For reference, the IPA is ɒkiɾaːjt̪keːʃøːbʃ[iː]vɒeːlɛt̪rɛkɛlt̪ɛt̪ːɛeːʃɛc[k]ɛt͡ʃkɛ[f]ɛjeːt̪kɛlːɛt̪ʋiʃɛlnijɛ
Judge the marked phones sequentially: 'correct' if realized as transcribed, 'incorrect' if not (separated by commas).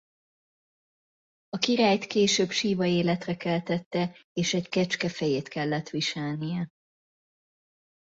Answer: correct, correct, correct